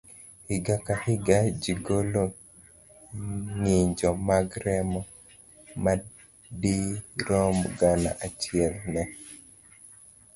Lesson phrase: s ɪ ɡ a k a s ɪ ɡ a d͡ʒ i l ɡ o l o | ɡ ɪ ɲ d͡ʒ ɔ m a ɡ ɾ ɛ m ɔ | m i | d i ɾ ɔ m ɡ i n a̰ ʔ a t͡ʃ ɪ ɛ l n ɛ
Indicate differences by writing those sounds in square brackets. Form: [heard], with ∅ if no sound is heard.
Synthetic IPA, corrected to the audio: [h] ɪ ɡ a k a [h] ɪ ɡ a d͡ʒ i [∅] ɡ o l o | [ŋ] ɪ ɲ d͡ʒ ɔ m a ɡ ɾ ɛ m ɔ | m [a] | d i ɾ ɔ m ɡ [a] n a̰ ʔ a t͡ʃ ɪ ɛ l n ɛ

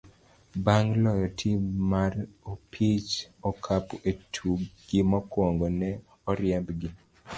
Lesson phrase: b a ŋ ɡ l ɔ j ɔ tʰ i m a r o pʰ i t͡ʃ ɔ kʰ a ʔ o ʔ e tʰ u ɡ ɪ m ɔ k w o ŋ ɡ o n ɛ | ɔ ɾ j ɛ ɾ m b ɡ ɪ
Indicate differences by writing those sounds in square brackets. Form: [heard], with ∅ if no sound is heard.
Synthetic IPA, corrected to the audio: b a ŋ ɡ l ɔ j ɔ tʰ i m a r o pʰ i t͡ʃ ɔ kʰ a [p] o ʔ e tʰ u ɡ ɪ m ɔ k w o ŋ ɡ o n ɛ | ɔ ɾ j ɛ [∅] m b ɡ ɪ

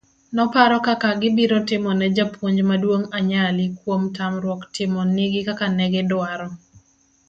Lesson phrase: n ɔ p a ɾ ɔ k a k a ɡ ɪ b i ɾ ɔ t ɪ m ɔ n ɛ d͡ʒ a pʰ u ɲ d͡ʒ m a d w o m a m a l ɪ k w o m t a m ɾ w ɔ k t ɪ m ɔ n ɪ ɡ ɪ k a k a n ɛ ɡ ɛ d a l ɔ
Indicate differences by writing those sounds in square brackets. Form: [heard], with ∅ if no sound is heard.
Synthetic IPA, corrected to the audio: n ɔ p a ɾ ɔ k a k a ɡ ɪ b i ɾ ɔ t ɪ m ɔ n ɛ d͡ʒ a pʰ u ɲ d͡ʒ m a d w o [ŋ] a [ɲ] a l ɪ k w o m t a m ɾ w ɔ k t ɪ m ɔ n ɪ ɡ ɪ k a k a n ɛ ɡ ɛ d a [ɾ] ɔ

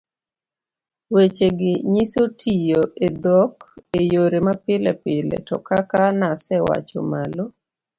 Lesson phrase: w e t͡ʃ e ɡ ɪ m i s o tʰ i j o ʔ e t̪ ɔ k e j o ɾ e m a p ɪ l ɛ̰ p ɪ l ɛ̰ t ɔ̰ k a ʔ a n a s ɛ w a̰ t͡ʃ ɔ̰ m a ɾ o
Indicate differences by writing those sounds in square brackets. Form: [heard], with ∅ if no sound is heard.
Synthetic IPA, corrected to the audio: w e t͡ʃ e ɡ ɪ [ɲ] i s o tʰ i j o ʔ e [d̪] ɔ k e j o ɾ e m a p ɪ l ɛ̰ p ɪ l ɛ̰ t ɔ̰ k a [k] a n a s ɛ w a̰ t͡ʃ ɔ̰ m a [l] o

